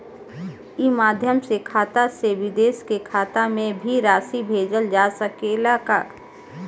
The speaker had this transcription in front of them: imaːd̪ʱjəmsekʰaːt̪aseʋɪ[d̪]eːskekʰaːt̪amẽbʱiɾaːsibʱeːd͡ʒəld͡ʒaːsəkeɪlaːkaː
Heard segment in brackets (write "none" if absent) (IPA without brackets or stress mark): d̪